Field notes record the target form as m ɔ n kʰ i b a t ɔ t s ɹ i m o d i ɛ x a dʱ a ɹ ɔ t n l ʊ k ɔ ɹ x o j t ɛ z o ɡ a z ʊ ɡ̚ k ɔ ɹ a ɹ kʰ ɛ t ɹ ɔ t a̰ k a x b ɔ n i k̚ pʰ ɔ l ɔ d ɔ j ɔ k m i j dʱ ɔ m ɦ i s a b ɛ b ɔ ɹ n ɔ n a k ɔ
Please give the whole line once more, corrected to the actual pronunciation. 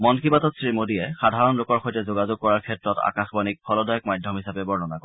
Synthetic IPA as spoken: m ɔ n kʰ i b a t ɔ t s ɹ i m o d i ɛ x a dʱ a ɹ ɔ n l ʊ k ɔ ɹ x o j t ɛ z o ɡ a z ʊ ɡ̚ k ɔ ɹ a ɹ kʰ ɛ t ɹ ɔ t a̰ k a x b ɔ n i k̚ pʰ ɔ l ɔ d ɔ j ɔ k m a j dʱ ɔ m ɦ i s a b ɛ b ɔ ɹ n ɔ n a k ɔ